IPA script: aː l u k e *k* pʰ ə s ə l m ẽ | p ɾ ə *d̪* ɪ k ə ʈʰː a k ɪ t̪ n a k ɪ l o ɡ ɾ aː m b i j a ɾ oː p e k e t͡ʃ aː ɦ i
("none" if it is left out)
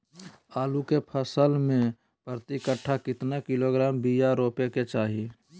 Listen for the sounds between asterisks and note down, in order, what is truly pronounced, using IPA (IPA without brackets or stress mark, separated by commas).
none, t̪